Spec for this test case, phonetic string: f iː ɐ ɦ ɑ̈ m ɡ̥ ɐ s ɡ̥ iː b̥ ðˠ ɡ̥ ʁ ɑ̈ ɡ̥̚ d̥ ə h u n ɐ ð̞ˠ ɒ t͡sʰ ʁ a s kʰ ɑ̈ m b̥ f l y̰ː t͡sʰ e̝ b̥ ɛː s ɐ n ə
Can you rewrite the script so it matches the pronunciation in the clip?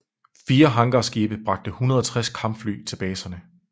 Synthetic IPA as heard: f iː ɐ ɦ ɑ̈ ŋ ɡ̥ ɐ s ɡ̥ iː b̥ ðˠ b̥ ʁ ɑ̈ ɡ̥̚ d̥ ə h u n ɐ ð̞ˠ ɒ t͡sʰ ʁ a s kʰ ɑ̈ m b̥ f l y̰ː t͡sʰ e̝ b̥ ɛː s ɐ n ə